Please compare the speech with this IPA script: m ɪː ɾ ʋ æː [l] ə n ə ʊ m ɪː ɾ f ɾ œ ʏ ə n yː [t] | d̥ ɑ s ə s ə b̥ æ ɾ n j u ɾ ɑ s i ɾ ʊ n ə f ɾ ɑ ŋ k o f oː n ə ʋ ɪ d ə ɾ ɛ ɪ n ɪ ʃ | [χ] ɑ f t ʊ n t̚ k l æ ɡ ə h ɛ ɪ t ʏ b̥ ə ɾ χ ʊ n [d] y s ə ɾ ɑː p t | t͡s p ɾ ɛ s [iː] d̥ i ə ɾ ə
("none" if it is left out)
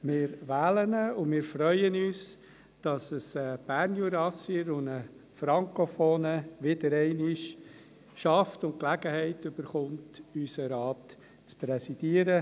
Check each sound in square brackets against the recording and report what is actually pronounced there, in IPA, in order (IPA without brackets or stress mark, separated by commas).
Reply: l, s, ʃ, t, i